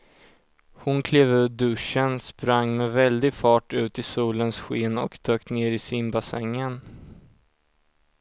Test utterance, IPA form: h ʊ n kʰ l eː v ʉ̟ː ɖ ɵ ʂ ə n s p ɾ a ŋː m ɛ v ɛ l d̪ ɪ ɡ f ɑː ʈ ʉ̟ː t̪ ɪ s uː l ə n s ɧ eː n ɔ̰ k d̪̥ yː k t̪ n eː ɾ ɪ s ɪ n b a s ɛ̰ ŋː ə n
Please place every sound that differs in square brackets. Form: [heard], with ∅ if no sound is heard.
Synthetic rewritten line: h ʊ n kʰ l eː v ʉ̟ː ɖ ɵ ʂ ə n s p ɾ a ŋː m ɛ v ɛ l d̪ ɪ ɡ f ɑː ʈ ʉ̟ː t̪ ɪ s uː l ə n s ɧ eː n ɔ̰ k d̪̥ [øː] k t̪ n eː ɾ ɪ s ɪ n b a s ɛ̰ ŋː ə n